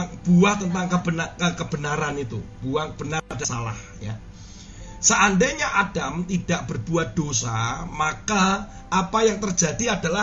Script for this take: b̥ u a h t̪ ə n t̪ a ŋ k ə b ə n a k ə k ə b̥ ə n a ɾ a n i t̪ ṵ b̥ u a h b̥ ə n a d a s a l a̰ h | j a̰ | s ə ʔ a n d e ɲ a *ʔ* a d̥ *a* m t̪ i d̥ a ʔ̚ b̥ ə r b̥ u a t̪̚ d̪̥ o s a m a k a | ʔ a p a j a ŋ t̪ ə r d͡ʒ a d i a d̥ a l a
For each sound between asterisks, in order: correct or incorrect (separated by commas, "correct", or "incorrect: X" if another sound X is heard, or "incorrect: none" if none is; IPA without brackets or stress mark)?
correct, correct